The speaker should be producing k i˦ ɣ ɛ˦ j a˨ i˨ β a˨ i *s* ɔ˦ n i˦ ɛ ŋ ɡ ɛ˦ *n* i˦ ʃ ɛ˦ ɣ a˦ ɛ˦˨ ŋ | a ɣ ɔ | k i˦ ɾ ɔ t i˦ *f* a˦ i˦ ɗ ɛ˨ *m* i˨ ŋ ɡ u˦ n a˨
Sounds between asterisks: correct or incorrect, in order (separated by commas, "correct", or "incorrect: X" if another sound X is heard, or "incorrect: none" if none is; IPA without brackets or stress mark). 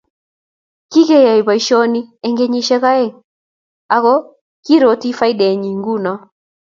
incorrect: ʃ, incorrect: ɲ, correct, incorrect: ɲ